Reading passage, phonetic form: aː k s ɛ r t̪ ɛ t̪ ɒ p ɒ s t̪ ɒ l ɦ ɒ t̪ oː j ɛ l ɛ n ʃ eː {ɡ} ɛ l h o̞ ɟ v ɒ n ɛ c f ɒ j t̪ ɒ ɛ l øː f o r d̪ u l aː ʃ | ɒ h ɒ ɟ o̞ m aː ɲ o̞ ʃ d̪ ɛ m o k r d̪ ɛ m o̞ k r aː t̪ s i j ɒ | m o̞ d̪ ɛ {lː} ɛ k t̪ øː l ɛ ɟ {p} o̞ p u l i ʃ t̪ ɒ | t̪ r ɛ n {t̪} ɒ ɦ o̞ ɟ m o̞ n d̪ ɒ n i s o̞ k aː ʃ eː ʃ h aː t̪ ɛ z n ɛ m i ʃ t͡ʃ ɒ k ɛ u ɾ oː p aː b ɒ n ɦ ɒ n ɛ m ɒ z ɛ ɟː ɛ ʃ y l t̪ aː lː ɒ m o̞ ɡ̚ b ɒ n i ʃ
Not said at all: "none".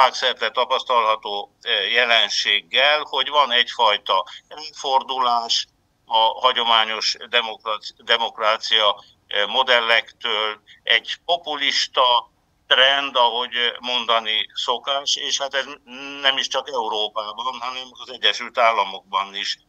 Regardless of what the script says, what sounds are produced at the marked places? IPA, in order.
ɡː, lː, p, d̪

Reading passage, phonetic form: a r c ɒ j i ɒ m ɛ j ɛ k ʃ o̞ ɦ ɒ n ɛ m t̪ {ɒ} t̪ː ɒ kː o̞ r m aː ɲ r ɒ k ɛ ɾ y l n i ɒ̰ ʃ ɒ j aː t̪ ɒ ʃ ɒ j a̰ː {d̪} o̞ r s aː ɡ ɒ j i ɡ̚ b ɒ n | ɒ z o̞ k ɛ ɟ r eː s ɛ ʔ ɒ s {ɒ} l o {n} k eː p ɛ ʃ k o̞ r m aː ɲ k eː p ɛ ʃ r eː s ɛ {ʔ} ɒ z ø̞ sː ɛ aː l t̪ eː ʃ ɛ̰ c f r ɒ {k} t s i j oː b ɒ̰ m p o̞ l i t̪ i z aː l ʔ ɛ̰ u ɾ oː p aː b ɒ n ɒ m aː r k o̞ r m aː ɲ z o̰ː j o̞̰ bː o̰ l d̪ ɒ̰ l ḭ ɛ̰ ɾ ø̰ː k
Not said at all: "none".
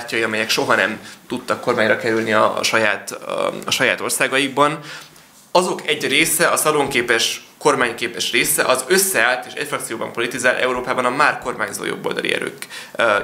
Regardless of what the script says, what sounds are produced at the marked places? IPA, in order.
u, t̪, ɒ, ŋ, ʔ, k

